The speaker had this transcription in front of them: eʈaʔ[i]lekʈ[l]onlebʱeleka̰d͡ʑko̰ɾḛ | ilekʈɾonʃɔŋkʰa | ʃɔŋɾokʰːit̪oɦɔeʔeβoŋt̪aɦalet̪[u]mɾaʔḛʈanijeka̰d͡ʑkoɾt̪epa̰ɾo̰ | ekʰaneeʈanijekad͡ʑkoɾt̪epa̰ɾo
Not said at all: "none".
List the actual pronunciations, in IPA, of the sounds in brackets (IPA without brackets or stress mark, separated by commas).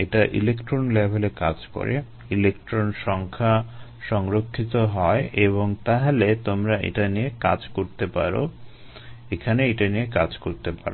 i, ɾ, o